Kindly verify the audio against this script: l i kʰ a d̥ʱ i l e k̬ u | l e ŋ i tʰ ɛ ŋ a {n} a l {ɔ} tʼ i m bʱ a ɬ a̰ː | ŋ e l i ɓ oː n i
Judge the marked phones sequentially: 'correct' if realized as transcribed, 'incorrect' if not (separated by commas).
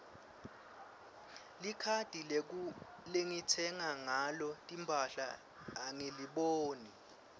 incorrect, correct